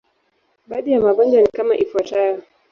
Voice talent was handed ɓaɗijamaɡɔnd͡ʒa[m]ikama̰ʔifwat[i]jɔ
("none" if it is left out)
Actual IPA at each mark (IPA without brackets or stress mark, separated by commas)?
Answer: n, a